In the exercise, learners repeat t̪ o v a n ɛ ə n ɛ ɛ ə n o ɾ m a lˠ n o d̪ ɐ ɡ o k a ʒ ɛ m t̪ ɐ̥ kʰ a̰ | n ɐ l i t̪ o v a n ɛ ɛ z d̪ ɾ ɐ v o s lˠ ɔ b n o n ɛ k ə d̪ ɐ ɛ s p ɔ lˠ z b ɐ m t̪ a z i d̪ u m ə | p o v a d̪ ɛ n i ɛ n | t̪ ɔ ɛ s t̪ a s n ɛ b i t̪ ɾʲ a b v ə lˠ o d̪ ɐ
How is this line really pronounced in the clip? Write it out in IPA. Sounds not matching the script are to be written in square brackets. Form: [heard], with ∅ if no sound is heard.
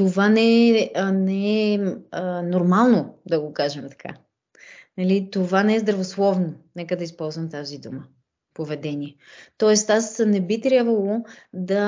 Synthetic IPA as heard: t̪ o v a n ɛ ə n ɛ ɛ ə n o ɾ m a lˠ n o d̪ ɐ ɡ o k a ʒ ɛ m t̪ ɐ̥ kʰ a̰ | n ɐ l i t̪ o v a n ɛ ɛ z d̪ ɾ ɐ v o s lˠ ɔ [v] n o n ɛ k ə d̪ ɐ [i] s p ɔ lˠ z [v] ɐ m t̪ a z i d̪ u m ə | p o v [ɛ] d̪ ɛ n i ɛ [∅] | t̪ ɔ ɛ s t̪ a s n ɛ b i t̪ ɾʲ a b v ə lˠ o d̪ ɐ